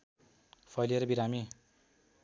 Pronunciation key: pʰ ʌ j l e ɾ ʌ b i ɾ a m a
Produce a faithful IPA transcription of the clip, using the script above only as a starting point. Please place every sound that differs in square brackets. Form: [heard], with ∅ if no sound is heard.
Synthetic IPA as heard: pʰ ʌ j l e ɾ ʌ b i ɾ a m [i]